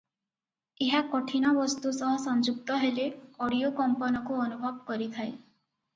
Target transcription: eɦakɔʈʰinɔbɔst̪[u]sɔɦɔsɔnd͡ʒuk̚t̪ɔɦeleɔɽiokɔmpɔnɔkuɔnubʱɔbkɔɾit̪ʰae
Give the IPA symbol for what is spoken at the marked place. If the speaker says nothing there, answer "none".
u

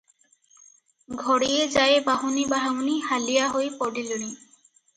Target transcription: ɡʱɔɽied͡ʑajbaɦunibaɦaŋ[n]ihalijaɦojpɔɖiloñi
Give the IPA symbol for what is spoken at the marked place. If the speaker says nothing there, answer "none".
n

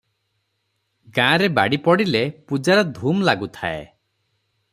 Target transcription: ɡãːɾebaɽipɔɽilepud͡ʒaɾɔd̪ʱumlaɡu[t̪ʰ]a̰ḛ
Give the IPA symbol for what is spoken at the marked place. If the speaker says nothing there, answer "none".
t̪ʰ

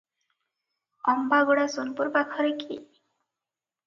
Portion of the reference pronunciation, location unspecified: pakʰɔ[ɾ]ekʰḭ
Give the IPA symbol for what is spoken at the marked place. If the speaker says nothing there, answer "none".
ɾ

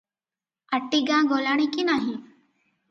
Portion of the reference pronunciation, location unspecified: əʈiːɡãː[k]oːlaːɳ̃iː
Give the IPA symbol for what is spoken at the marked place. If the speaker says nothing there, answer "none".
ɡ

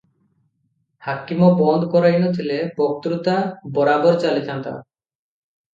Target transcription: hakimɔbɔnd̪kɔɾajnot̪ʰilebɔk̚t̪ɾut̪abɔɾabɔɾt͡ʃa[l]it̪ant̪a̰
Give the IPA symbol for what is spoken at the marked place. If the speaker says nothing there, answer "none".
l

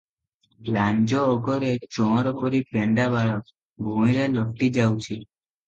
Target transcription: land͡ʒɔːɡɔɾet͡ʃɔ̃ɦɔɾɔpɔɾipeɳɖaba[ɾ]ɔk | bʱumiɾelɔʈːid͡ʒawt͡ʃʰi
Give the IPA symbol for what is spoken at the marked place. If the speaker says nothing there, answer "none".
ɭ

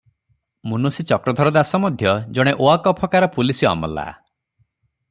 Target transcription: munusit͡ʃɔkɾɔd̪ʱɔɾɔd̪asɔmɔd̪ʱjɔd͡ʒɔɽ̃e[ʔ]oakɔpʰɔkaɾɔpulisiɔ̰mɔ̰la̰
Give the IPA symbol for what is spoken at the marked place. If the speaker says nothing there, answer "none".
ʔ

